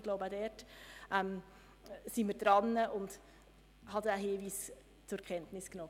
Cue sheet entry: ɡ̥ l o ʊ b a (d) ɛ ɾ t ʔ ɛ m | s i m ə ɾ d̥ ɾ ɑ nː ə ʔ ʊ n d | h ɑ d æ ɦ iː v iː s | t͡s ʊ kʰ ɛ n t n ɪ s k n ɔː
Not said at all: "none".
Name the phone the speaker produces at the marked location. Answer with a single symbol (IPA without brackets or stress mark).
d